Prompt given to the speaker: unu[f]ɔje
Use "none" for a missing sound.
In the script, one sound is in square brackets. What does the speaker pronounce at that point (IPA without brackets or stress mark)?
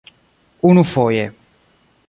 f